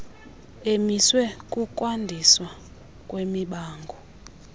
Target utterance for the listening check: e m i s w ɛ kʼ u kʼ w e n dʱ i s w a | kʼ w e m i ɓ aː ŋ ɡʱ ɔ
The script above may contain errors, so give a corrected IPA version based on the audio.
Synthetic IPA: e m i s w ɛ kʼ u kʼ w a n dʱ i s w a | kʼ w e m i ɓ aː ŋ ɡʱ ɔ